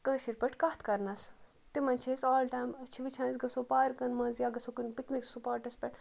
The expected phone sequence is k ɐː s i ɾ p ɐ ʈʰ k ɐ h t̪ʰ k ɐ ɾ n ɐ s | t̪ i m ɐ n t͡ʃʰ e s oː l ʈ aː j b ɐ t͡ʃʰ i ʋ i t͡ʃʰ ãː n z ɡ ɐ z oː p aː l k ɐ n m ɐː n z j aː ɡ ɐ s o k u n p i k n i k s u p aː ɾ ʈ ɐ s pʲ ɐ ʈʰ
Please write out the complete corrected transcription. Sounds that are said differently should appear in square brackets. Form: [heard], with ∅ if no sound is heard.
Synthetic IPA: k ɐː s i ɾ p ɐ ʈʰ k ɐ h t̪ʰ k ɐ ɾ n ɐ s | t̪ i m ɐ n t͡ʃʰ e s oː l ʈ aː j [m] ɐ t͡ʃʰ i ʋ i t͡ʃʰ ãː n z ɡ ɐ [s] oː p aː [ɾ] k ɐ n m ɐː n z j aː ɡ ɐ s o k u n p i k n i k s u p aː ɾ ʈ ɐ s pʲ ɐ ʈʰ